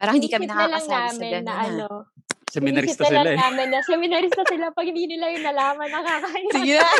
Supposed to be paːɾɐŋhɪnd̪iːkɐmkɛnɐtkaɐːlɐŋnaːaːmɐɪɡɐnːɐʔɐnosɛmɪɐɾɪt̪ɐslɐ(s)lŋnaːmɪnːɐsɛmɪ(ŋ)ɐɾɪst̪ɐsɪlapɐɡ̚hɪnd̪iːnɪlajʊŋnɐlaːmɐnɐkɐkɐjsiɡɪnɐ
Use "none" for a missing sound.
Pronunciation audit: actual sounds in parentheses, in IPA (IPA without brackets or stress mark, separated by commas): none, n